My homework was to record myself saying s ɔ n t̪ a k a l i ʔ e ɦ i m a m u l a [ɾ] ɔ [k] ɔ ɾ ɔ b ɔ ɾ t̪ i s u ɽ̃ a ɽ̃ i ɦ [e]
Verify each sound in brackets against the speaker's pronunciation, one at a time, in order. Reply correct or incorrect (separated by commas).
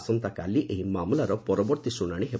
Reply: correct, incorrect, correct